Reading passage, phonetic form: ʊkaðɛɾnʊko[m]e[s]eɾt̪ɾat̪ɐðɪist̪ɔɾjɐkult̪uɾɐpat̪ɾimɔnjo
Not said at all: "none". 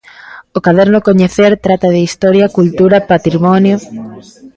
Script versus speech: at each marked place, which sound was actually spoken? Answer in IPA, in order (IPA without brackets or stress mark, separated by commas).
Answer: ɲ, θ